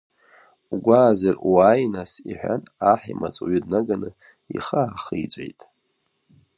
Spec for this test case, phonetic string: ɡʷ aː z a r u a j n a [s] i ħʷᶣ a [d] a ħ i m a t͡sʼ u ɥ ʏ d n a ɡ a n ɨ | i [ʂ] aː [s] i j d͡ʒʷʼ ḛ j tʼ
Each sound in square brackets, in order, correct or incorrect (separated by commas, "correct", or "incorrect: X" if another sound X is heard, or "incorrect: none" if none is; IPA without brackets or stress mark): correct, incorrect: n, incorrect: χ, incorrect: χ